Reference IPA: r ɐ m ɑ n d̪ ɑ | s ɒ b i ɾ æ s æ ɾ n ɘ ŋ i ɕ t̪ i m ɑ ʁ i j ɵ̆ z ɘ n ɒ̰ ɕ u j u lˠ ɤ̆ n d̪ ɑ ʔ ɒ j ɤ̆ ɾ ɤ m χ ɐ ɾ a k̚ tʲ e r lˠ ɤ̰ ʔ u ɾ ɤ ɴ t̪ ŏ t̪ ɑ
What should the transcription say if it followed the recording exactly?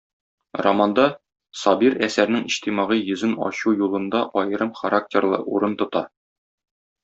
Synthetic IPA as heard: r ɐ m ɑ n d̪ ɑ | s ɒ b i ɾ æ s æ ɾ n ɘ ŋ i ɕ t̪ i m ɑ ʁ i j ɵ̆ z ɘ n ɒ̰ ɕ u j u lˠ ɤ̆ n d̪ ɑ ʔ ɒ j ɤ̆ ɾ ɤ m χ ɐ ɾ a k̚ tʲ e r lˠ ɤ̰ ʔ u ɾ ɤ n t̪ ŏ t̪ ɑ